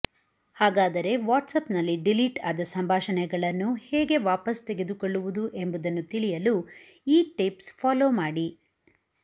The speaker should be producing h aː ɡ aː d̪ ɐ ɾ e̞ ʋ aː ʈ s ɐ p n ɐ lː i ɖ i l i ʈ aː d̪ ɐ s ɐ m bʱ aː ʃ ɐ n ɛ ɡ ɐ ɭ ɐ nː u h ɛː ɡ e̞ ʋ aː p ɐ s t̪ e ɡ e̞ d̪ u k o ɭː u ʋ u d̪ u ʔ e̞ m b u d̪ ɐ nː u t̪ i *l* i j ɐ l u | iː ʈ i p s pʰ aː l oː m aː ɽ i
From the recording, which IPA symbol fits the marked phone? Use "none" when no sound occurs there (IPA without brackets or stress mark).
ɭ